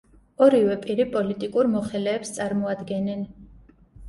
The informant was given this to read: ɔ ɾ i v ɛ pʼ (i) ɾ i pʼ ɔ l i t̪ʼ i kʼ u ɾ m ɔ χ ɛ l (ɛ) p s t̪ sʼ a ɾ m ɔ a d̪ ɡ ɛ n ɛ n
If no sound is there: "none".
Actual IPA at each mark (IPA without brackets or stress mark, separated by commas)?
i, ɛː